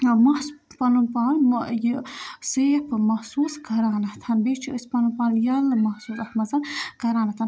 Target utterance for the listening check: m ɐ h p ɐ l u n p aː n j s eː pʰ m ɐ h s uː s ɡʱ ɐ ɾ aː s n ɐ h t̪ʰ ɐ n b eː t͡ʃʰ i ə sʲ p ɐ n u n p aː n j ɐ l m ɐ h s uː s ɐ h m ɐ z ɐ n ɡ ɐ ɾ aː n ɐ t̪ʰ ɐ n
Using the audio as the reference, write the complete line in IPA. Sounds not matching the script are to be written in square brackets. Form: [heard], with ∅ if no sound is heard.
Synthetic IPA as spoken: m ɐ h p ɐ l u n p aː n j s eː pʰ m ɐ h s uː s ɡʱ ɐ ɾ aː [∅] n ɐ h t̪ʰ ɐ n b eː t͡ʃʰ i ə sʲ p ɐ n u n p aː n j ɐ l m ɐ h s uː s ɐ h m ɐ z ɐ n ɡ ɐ ɾ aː n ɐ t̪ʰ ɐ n